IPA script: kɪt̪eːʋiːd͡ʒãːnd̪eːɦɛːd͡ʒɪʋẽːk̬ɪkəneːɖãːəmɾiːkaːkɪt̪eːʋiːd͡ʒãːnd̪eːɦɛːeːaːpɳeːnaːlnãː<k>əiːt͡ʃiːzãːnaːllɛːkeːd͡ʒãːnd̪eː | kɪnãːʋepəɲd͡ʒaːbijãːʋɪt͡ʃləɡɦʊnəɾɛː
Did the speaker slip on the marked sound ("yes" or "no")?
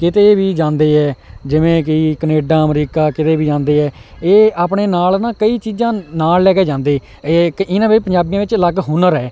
no